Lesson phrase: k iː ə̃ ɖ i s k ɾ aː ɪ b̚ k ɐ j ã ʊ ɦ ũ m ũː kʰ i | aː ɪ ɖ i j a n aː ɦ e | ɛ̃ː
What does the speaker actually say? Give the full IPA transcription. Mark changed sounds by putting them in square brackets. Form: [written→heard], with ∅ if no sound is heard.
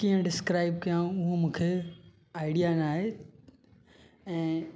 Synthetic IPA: k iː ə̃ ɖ [i→ɪ] s k ɾ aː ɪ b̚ k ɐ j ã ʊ ɦ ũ m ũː kʰ [i→e] | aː ɪ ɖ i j a n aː ɦ e | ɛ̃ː